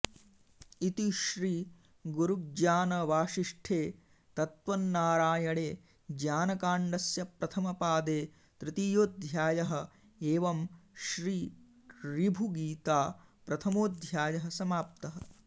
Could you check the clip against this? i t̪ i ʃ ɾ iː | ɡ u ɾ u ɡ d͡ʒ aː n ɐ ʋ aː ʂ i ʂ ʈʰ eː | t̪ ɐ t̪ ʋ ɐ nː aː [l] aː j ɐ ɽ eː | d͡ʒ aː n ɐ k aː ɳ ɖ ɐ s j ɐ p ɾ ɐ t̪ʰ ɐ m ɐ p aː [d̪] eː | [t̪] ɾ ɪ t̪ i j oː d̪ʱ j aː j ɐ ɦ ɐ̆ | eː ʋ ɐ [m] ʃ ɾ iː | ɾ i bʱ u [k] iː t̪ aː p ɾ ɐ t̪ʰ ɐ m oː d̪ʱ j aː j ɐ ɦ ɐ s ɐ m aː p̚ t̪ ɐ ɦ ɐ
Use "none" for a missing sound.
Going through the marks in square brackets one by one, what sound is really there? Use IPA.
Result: ɾ, d̪, t̪, m, ɡ

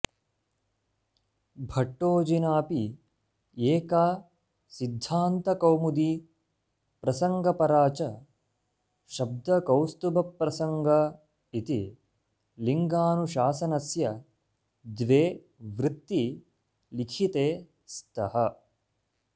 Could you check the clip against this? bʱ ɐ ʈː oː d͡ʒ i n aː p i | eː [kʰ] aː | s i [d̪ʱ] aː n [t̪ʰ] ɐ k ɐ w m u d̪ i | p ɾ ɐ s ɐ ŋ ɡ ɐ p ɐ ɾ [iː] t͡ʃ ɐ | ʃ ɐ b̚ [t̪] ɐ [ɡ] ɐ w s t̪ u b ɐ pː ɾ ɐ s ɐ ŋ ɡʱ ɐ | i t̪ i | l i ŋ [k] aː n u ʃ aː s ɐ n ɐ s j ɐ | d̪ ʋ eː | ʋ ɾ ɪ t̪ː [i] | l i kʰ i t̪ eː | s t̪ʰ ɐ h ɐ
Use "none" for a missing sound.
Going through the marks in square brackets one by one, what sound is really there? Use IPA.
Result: k, d̪ʱː, t̪, aː, d̪, k, ɡ, i

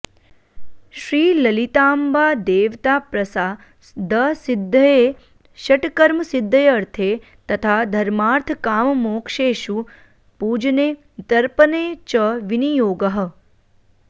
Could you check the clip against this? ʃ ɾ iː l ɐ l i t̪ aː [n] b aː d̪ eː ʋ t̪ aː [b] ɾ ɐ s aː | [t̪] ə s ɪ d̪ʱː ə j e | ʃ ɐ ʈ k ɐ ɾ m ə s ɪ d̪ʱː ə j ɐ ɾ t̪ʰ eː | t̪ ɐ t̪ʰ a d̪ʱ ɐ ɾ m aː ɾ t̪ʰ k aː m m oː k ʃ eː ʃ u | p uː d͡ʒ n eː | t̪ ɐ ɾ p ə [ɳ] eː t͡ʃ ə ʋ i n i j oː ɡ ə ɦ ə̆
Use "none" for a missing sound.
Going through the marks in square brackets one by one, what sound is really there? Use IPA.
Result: m, p, d̪, n

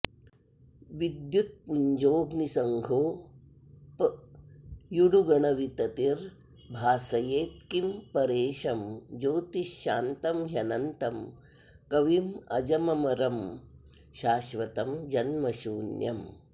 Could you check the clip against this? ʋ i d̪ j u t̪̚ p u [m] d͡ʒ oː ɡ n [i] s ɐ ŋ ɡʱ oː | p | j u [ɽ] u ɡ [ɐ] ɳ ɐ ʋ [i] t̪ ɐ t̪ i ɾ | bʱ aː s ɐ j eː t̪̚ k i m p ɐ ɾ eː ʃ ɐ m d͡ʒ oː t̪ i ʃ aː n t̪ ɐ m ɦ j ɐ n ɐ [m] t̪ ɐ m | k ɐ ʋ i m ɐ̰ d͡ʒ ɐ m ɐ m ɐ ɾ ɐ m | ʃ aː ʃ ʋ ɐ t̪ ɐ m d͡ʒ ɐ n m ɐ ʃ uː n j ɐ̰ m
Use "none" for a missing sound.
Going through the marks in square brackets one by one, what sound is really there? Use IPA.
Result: ɲ, i, ɽ, ɐ, i, n

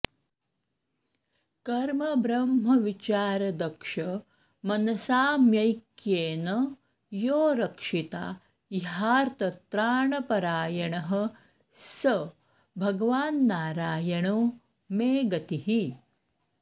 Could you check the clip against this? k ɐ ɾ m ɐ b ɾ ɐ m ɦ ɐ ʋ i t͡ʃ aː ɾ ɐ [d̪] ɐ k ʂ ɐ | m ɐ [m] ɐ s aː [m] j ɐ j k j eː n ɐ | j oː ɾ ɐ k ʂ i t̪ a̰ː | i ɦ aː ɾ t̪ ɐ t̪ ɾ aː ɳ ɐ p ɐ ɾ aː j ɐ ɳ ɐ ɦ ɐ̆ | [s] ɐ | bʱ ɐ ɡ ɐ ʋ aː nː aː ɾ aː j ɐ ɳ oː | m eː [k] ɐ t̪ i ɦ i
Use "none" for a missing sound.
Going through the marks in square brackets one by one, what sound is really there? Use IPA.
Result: d̪, n, m, s, ɡ

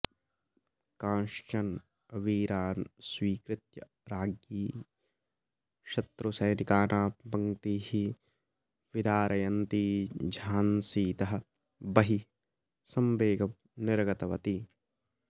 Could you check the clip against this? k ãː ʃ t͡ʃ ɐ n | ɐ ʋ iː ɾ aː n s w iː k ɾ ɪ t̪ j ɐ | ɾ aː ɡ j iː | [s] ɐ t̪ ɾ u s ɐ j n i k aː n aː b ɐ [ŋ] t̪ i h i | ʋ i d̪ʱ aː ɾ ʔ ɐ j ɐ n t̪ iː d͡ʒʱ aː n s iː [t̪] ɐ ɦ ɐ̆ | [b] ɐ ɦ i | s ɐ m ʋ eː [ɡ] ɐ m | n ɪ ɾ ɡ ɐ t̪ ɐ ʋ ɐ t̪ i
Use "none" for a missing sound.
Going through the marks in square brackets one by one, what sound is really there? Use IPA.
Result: ʃ, ŋ, t̪, b, ɡ

